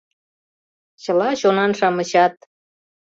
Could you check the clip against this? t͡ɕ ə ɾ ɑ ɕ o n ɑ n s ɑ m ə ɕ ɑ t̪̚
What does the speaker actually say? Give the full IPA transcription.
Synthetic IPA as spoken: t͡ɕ ə l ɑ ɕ o n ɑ n ʃ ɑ m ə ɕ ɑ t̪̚